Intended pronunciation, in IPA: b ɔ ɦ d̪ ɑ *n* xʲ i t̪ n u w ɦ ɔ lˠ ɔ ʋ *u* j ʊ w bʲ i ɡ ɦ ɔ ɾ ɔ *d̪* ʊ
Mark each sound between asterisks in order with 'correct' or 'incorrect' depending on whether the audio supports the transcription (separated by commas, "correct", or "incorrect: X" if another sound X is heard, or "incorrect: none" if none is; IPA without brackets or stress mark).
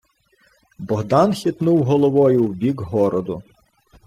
correct, incorrect: ɔ, correct